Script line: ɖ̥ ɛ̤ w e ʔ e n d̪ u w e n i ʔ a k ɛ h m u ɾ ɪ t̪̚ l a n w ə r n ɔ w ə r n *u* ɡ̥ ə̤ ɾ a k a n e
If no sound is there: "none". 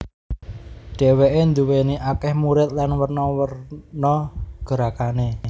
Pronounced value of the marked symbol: ɔ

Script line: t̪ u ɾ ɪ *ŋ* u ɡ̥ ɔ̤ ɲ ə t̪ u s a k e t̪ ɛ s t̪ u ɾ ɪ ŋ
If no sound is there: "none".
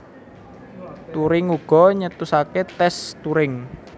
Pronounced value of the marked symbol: ŋ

